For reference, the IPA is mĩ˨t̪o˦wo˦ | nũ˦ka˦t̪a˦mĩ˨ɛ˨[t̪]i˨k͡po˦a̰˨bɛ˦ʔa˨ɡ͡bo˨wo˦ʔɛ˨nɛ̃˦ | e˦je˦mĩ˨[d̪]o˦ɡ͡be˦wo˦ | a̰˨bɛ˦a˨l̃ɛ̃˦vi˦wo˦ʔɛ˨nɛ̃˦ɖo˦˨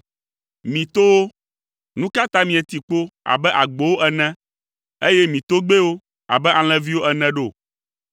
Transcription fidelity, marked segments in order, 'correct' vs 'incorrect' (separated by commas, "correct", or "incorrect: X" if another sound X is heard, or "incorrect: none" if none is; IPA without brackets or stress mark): correct, incorrect: t̪